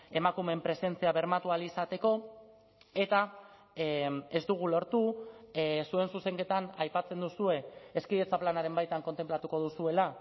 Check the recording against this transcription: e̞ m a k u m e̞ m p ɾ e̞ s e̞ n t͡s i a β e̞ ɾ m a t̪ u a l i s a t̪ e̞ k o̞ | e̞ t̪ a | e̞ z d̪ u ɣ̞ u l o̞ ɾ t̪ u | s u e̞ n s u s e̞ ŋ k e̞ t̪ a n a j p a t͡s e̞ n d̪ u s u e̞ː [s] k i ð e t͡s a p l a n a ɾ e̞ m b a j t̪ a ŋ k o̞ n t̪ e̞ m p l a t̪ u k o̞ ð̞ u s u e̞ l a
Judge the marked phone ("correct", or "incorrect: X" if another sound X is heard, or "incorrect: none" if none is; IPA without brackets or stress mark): correct